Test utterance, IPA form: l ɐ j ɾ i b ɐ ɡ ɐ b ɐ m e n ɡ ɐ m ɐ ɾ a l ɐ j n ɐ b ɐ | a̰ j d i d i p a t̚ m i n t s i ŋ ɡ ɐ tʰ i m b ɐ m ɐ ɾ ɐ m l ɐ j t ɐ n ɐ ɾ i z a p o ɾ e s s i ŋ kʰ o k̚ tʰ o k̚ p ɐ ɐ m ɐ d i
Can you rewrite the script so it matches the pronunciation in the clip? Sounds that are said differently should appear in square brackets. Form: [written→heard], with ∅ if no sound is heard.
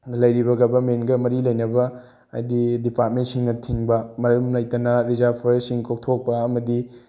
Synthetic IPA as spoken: l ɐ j ɾ i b ɐ ɡ ɐ b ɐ m e n ɡ ɐ m ɐ ɾ [a→i] l ɐ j n ɐ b ɐ | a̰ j d i d i p a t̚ m [i→e] n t s i ŋ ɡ ɐ tʰ i [m→ŋ] b ɐ m ɐ ɾ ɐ m l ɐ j t ɐ n ɐ ɾ i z a [p→pʰ] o ɾ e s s i ŋ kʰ o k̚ tʰ o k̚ p ɐ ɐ m ɐ d i